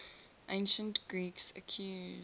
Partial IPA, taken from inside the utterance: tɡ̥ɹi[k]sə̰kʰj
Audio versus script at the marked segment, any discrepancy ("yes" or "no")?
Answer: no